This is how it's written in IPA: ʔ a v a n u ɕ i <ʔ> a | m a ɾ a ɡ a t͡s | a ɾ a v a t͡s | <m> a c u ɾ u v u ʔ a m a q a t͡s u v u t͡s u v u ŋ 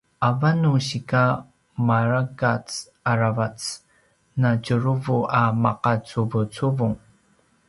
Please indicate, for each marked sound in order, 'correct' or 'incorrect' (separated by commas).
incorrect, incorrect